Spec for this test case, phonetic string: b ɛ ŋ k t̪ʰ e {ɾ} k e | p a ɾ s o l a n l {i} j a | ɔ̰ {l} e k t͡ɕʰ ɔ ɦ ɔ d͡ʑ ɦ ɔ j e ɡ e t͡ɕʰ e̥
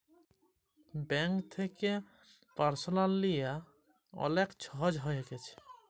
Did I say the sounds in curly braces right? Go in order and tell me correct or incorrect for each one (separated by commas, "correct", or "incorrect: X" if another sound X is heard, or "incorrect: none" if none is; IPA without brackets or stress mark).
incorrect: none, correct, correct